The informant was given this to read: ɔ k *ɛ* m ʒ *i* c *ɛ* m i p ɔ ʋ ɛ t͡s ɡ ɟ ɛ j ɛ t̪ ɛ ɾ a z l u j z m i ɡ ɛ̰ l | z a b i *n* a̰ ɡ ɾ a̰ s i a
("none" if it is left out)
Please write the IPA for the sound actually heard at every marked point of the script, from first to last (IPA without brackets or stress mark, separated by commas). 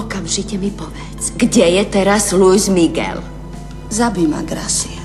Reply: a, i, ɛ, m